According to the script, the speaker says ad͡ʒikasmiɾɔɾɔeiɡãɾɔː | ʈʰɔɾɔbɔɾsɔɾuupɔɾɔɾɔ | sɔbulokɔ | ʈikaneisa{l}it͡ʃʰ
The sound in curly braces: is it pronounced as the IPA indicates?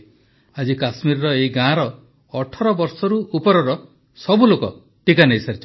no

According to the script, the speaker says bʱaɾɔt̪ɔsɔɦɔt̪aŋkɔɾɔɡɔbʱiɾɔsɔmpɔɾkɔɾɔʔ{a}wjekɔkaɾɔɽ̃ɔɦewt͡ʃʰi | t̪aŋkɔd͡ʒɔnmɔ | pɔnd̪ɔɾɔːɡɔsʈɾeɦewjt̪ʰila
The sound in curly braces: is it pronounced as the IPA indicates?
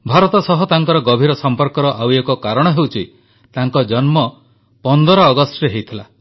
yes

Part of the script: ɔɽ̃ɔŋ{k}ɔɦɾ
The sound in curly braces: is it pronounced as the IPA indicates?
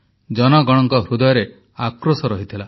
yes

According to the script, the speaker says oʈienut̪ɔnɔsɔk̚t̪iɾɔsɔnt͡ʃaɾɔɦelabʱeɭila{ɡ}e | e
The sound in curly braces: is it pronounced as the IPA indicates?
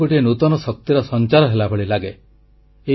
yes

